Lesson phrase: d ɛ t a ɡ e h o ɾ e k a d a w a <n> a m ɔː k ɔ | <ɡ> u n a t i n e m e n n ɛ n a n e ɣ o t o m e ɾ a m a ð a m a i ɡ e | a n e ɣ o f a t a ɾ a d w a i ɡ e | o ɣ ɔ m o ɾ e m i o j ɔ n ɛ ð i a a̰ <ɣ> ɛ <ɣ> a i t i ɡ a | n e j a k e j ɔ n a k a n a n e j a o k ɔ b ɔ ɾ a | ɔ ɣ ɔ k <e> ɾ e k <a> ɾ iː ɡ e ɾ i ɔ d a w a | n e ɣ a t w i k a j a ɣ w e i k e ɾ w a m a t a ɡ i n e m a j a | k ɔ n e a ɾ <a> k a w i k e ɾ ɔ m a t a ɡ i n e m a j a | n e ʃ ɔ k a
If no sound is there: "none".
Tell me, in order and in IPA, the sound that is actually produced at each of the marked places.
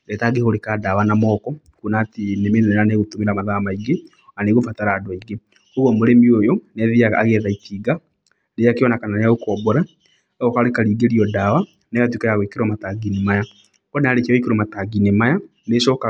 n, k, ɣ, ð, a, a, e

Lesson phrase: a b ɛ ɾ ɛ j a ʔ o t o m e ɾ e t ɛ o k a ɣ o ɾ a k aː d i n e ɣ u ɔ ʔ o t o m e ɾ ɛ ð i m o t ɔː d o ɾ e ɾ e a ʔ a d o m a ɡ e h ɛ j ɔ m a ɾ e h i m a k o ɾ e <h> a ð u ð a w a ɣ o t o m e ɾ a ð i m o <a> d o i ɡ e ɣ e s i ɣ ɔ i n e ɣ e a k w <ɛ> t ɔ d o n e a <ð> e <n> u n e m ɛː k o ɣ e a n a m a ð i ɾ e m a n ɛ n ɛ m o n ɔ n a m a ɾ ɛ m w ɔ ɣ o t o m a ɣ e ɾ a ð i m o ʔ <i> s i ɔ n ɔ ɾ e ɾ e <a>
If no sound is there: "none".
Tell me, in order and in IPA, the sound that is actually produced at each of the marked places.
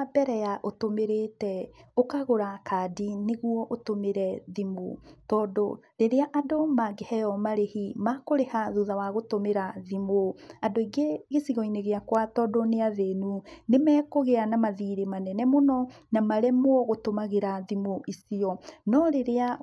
h, a, a, ð, n, i, a

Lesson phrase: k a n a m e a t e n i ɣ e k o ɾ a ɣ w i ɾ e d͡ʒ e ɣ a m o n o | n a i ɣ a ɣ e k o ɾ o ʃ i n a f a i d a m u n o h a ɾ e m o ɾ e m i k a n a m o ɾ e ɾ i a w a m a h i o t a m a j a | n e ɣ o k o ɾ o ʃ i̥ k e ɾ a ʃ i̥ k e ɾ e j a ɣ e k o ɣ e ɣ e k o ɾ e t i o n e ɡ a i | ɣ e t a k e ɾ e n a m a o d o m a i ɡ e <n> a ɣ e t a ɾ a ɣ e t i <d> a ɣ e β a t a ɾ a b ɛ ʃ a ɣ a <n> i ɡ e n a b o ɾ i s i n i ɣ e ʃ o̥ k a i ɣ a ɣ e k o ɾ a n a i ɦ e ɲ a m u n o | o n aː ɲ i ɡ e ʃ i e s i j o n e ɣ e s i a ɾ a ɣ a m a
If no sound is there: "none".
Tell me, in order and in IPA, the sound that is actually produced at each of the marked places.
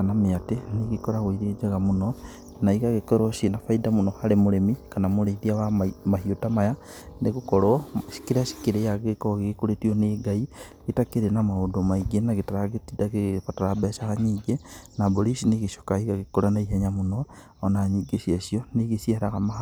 n, d, ɲ

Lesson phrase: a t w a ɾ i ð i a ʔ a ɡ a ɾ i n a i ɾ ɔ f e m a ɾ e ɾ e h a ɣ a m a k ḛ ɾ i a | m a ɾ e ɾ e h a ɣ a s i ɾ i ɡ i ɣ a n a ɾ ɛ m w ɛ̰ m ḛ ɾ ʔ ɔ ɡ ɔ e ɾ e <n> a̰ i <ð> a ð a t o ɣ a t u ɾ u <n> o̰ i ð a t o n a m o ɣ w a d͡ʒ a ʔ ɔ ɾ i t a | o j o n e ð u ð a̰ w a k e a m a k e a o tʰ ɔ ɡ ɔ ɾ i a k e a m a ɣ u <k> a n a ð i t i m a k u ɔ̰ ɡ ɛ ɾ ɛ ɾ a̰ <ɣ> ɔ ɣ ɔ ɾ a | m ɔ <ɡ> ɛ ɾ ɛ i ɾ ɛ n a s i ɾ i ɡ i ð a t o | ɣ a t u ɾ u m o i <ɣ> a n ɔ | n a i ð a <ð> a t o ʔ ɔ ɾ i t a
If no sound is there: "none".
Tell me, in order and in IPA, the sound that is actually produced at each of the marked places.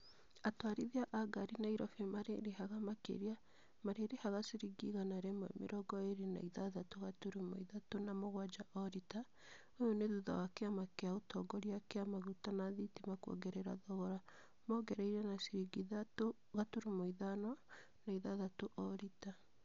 n, ð, m, t, ð, ɡ, ð, ð

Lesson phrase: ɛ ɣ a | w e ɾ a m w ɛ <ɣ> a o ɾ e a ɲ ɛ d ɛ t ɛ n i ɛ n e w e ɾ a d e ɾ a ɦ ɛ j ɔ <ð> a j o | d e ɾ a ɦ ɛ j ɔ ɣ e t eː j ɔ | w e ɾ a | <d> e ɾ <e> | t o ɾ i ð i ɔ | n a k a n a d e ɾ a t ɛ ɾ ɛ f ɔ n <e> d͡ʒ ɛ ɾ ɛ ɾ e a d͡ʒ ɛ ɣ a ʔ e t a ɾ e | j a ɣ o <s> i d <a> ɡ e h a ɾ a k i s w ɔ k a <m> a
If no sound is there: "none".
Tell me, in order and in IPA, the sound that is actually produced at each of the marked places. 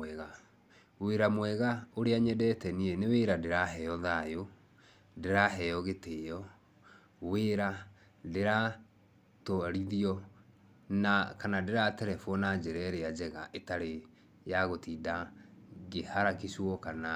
ɣ, ð, d, a, a, t, a, n

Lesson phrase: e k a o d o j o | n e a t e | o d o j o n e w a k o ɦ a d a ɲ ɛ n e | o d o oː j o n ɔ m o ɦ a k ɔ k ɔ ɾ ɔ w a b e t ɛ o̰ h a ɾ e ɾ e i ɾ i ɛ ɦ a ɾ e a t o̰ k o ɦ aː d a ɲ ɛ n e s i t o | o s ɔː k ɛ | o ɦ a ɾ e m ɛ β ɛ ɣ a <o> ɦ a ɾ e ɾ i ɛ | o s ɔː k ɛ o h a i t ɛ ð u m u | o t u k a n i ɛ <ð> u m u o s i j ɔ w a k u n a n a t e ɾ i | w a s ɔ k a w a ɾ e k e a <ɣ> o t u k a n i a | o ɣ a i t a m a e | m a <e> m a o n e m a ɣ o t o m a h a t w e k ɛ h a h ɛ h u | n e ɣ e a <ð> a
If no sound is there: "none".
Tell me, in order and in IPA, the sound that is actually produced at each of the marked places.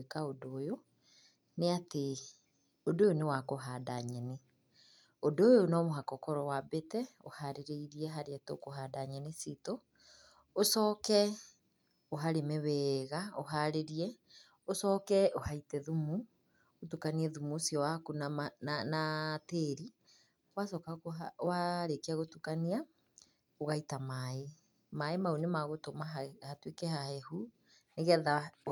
o, ð, ɣ, e, ð

